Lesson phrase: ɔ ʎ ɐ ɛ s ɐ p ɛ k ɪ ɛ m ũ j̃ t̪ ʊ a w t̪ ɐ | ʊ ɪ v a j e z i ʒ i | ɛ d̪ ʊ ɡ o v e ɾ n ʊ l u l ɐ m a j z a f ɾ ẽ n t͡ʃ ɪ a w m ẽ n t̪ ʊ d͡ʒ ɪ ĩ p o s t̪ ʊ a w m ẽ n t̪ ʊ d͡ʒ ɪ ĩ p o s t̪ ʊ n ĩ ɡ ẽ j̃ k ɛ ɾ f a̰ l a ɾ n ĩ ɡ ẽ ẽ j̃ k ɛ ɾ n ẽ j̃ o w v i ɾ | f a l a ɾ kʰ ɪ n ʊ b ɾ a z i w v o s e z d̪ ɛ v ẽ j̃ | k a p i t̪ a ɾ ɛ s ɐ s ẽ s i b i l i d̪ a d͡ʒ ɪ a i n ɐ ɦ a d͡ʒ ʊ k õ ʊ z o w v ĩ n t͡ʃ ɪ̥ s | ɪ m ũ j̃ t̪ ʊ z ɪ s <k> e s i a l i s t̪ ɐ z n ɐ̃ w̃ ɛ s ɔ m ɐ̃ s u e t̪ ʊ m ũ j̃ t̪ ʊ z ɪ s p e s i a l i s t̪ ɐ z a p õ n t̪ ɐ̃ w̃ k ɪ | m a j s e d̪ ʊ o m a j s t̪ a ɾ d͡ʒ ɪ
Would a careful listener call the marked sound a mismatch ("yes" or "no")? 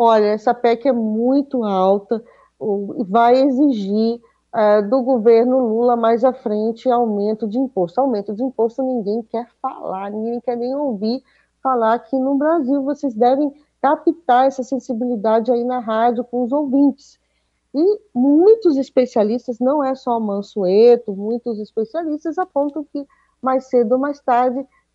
yes